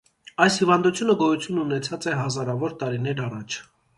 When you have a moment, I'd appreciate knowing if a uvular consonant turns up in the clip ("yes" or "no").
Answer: no